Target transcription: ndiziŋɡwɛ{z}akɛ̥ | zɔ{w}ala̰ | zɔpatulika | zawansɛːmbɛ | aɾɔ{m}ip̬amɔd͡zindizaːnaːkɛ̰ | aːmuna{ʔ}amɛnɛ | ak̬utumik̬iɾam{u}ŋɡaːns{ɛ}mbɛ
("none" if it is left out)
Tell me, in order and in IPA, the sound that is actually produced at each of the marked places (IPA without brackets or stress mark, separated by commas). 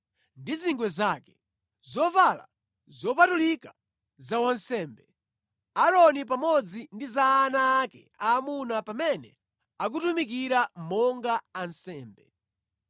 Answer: z, v, n, p, ɔ, ɛː